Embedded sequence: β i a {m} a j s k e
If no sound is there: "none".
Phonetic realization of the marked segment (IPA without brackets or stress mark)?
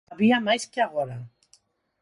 m